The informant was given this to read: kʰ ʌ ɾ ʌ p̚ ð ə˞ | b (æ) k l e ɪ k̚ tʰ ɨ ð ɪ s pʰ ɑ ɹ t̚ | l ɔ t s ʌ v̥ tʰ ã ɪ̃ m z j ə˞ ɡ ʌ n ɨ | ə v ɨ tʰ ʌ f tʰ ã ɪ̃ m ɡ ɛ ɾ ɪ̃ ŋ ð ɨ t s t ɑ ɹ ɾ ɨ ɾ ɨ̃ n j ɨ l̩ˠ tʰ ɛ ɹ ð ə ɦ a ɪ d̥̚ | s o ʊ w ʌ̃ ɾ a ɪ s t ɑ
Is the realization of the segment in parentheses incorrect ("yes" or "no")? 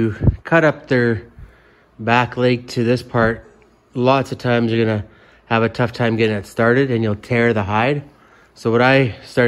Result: no